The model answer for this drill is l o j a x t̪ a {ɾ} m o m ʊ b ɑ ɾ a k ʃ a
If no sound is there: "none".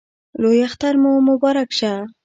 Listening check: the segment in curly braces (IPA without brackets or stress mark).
ɾ